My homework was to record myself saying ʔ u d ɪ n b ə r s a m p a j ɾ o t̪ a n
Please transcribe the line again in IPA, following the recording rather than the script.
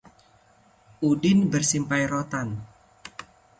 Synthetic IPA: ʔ u d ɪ n b ə r s i m p a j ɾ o t̪ a n